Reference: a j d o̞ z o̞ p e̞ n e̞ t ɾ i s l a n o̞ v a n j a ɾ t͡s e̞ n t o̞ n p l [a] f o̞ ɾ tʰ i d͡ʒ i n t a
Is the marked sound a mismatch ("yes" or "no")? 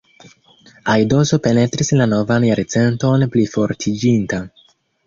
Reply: yes